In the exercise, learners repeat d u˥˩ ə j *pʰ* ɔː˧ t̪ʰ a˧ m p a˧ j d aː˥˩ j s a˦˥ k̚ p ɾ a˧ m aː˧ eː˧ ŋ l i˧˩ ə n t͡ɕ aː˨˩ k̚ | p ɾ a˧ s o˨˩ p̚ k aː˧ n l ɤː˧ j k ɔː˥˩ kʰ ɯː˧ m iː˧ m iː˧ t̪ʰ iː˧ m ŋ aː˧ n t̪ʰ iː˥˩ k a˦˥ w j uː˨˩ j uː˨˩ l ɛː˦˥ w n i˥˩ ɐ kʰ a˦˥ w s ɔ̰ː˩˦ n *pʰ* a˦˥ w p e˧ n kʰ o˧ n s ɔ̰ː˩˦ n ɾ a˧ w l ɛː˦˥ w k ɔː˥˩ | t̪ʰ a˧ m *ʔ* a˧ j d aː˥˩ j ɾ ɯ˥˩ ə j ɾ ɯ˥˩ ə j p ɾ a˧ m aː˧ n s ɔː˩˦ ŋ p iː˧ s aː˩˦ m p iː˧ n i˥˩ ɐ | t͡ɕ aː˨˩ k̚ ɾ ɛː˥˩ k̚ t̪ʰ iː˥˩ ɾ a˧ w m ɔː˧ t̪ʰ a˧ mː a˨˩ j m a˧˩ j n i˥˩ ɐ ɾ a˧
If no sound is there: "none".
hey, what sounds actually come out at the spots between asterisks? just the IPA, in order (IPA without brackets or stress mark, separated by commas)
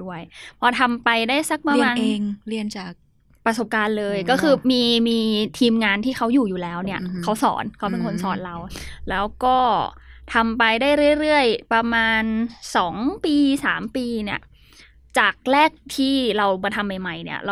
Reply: pʰ, kʰ, p